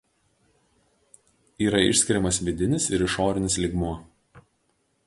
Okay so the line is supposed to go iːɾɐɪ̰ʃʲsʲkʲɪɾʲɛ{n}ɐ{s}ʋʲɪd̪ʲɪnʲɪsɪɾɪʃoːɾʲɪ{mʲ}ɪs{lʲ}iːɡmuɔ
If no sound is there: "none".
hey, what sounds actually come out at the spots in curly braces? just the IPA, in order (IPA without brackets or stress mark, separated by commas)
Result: m, s, nʲ, lʲ